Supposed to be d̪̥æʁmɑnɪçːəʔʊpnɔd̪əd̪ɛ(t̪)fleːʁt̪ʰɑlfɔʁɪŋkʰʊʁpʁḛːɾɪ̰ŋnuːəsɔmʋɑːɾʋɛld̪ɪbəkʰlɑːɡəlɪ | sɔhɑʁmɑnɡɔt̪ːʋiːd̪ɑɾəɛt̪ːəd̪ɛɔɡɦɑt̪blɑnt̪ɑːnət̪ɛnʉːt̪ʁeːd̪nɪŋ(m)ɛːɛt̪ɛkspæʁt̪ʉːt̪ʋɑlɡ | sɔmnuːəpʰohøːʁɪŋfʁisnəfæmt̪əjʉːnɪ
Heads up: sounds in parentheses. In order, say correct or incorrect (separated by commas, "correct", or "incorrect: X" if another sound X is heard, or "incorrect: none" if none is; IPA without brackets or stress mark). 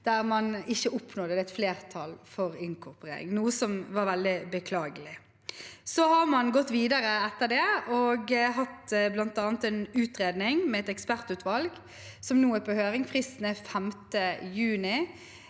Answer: correct, correct